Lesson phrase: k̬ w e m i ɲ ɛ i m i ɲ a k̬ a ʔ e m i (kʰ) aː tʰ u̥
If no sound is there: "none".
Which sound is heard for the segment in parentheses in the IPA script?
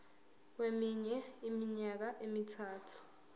tʰ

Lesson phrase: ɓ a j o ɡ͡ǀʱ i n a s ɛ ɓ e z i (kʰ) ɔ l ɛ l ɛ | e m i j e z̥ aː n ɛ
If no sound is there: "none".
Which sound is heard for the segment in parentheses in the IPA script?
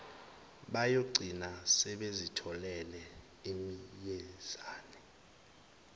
tʰ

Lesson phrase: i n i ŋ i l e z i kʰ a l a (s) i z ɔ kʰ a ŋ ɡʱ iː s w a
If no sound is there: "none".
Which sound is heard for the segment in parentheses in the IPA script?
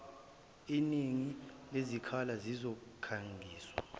z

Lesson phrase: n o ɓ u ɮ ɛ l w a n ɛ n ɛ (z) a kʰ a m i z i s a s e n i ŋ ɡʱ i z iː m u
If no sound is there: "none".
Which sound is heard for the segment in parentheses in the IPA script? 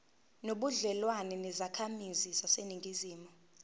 z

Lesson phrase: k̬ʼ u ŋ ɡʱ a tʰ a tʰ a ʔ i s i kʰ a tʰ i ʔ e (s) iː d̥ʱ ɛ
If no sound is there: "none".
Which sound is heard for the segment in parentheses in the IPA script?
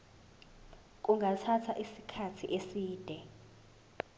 s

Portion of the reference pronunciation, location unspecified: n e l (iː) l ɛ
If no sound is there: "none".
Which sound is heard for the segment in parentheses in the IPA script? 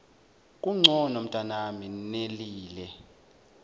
iː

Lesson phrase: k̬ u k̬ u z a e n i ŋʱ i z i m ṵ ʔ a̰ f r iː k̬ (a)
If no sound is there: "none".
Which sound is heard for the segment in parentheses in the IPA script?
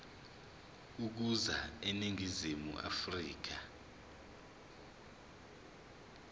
a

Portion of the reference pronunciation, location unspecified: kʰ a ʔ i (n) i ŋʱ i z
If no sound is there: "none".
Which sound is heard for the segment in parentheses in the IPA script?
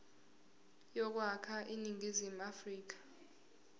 n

